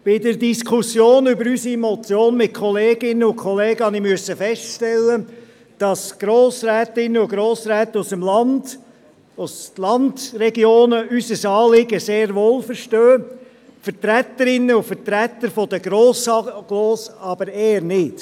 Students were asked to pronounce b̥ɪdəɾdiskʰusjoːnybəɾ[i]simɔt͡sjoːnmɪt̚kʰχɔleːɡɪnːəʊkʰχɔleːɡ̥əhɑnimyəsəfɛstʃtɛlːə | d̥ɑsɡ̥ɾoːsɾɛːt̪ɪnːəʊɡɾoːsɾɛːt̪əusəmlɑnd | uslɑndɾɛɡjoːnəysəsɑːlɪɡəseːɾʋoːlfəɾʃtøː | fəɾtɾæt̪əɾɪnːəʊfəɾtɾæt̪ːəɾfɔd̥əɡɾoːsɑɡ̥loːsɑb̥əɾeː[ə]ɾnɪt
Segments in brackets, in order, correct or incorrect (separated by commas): incorrect, correct